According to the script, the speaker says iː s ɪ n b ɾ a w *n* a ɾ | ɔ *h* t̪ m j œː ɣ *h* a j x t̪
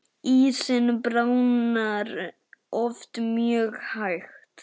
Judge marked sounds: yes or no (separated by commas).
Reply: yes, no, yes